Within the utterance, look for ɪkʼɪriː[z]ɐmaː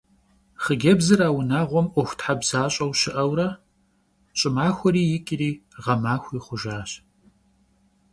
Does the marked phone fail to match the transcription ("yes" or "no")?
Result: yes